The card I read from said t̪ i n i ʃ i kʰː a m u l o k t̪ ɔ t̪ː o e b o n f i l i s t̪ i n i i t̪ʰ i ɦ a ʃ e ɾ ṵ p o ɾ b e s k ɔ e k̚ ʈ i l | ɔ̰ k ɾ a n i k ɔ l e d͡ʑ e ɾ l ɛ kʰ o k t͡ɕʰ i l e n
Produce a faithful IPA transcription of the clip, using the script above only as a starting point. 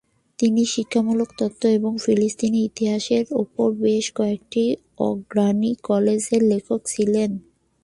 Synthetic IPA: t̪ i n i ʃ i kʰː a m u l o k t̪ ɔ t̪ː o e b o ŋ f i l i s t̪ i n i i t̪ i ɦ a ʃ e ɾ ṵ p o ɾ b e ʃ k ɔ e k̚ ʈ i | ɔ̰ ɡ ɾ a n i k ɔ l e d͡ʑ e ɾ l e kʰ o k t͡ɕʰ i l e n